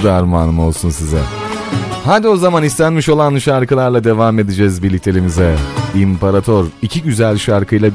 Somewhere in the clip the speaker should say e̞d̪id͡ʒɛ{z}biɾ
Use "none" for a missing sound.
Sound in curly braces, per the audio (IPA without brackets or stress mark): z